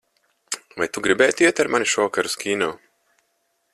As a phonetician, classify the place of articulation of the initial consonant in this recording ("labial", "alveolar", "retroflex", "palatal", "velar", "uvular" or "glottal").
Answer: labial